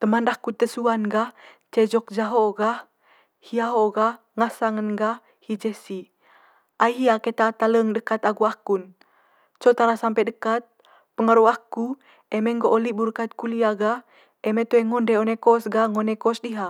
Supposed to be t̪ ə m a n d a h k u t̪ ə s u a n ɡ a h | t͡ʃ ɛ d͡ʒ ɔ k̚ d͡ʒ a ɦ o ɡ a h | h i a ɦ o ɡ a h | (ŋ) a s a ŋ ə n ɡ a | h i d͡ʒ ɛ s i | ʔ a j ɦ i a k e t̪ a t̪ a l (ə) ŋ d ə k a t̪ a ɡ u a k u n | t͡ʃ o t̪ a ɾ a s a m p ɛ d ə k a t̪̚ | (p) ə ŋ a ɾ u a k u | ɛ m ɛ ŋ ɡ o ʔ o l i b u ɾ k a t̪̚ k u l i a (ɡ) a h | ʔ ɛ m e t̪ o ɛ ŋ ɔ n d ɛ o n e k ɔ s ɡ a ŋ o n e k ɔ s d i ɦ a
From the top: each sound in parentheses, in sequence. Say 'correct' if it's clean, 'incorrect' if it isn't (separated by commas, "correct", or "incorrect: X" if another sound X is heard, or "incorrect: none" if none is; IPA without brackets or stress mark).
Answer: correct, correct, correct, correct